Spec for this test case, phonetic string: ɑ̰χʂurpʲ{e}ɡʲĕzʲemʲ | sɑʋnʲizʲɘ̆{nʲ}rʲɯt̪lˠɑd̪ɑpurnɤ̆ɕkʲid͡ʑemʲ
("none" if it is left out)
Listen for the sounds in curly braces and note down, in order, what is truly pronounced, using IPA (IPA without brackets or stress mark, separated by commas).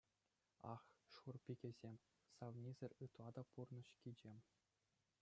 i, none